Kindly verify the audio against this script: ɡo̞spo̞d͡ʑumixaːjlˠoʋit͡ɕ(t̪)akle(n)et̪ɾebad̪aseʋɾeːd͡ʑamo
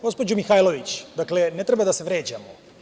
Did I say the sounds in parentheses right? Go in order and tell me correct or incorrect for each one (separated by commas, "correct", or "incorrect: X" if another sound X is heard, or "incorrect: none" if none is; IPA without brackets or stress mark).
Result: incorrect: d̪, correct